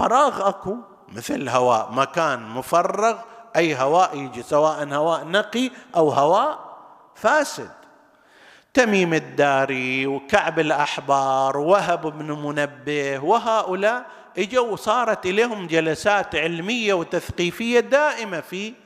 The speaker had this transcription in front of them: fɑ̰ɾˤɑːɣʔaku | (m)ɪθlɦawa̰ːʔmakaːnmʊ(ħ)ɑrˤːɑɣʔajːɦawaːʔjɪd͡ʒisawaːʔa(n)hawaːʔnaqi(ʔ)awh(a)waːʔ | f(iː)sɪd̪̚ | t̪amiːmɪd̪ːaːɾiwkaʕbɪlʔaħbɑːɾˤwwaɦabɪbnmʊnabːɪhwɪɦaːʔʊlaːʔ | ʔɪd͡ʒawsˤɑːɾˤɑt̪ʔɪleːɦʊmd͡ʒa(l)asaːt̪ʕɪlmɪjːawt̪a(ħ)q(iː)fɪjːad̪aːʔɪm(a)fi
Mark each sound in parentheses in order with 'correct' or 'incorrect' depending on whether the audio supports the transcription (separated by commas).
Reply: correct, incorrect, correct, correct, correct, incorrect, correct, incorrect, correct, correct